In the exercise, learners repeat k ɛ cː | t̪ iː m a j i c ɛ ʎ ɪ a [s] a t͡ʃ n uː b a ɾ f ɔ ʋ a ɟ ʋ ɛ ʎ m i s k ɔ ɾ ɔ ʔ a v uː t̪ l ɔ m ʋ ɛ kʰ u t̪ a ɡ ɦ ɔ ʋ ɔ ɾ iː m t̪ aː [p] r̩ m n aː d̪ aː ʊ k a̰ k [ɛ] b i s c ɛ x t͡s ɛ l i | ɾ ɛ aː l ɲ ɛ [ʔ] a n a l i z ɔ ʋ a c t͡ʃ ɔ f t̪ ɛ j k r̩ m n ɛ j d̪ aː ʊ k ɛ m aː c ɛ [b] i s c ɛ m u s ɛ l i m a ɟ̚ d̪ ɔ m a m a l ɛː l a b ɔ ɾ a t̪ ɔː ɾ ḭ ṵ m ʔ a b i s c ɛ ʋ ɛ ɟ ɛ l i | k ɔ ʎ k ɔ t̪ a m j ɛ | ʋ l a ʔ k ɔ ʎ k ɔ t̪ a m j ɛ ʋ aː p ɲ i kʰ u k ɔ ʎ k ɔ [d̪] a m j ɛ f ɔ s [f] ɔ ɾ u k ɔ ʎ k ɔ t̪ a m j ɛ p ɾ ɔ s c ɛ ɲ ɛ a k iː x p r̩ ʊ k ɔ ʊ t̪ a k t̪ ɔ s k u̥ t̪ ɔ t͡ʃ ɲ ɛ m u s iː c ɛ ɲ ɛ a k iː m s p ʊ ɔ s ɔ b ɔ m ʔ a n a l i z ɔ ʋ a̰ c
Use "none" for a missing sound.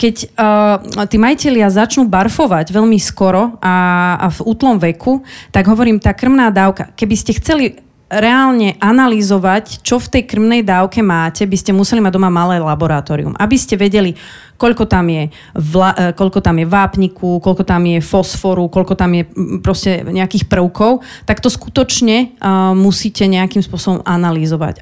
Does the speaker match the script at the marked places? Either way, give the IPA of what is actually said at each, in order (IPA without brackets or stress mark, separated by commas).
z, k, ɛ, ʔ, b, t̪, f